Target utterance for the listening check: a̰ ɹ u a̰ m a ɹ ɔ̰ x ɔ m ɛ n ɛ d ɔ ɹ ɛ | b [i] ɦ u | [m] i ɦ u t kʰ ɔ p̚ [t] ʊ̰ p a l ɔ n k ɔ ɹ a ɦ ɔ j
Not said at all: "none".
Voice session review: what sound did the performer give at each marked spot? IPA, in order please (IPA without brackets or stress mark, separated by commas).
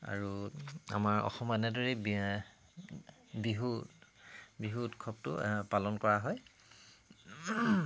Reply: i, b, t